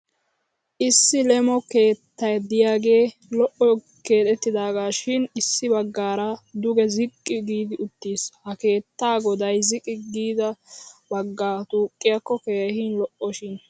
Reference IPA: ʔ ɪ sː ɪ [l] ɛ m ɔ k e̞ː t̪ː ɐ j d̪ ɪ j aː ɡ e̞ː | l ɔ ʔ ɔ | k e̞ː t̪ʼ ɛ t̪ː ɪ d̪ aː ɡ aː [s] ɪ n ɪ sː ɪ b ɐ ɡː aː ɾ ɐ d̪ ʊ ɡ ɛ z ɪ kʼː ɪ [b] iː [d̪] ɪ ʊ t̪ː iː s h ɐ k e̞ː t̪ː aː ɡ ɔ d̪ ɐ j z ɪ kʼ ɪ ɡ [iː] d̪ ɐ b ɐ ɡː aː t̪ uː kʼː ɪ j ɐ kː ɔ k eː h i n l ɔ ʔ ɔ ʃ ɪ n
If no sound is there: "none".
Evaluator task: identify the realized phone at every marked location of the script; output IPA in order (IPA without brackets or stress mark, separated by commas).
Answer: l, ʃ, ɡ, d̪, iː